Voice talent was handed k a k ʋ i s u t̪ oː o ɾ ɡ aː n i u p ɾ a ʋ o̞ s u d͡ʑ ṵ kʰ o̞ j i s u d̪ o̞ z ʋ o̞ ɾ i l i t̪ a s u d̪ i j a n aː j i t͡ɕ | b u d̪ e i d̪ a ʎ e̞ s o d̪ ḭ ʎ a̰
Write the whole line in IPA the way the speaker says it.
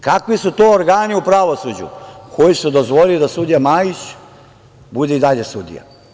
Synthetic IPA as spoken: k a k ʋ i s u t̪ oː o ɾ ɡ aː n i u p ɾ a ʋ o̞ s u d͡ʑ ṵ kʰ o̞ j i s u d̪ o̞ z ʋ o̞ l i l i d̪ a s u d̪ i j a m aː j i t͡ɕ | b u d̪ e i d̪ a ʎ e̞ s u d̪ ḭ j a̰